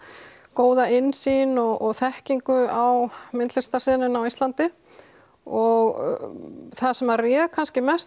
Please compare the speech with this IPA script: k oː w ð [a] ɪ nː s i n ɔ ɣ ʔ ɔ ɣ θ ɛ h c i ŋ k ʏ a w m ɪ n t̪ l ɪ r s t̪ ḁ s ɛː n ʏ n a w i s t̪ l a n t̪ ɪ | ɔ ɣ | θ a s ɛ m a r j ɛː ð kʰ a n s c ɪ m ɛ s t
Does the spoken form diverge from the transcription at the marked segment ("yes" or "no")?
no